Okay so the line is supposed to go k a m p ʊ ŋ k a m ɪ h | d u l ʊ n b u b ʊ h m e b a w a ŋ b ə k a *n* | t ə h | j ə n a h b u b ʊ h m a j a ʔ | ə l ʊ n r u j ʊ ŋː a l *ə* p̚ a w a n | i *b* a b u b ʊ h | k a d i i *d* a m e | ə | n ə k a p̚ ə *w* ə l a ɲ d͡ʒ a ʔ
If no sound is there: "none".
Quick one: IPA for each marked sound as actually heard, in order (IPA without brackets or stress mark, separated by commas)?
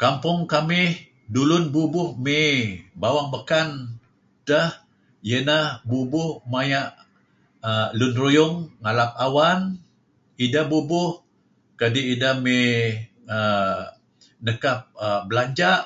n, a, d, d, b